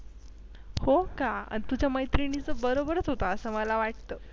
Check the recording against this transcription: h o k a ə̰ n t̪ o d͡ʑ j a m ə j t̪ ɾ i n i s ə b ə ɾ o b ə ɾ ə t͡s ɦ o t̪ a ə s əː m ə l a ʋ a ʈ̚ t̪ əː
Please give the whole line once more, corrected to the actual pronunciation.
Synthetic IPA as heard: h o k a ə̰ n t̪ u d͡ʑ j a m ə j t̪ ɾ i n i t͡s ə b ə ɾ o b ə ɾ ə t͡s ɦ o t̪ a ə s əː m ə l a ʋ a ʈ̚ t̪ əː